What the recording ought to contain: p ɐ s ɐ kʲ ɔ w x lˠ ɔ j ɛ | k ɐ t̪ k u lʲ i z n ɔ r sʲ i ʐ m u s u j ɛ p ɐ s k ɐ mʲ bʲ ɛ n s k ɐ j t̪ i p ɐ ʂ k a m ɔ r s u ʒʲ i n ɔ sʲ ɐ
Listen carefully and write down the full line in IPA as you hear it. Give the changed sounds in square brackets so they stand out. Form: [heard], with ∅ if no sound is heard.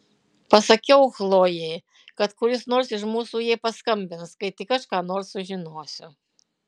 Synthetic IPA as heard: p ɐ s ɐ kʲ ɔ w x lˠ ɔ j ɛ | k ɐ t̪ k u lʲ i [s] n ɔ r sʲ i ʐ m u s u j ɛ p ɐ s k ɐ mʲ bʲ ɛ n s k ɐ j t̪ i [k] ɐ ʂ k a [n] ɔ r s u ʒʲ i n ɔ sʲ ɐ